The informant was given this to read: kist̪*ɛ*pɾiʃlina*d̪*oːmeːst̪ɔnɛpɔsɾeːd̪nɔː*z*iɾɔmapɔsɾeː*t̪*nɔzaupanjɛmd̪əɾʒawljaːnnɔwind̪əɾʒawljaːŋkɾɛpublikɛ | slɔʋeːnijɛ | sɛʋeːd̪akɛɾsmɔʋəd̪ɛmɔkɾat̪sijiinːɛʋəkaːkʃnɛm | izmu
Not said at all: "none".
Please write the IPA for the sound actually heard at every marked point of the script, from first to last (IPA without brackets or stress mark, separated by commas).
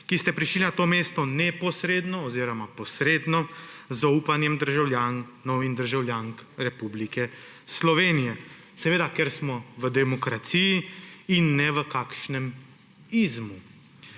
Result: ɛ, t̪, z, d̪